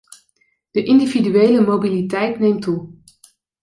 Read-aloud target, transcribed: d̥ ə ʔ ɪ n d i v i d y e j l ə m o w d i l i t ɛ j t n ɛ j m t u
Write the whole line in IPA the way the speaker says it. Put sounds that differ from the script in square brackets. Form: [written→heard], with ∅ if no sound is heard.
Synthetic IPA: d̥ ə ʔ ɪ n d i v i d y e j l ə m o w [d→b] i l i t ɛ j t n [ɛ→e] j m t u